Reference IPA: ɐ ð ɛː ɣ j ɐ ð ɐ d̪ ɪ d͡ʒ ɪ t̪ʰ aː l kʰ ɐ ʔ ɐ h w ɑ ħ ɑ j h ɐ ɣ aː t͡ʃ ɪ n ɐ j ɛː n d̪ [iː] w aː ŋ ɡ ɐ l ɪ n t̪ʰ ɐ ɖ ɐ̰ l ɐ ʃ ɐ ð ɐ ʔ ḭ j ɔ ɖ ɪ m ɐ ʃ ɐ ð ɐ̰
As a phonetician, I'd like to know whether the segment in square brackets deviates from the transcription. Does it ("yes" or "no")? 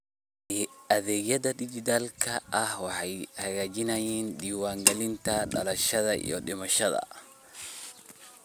no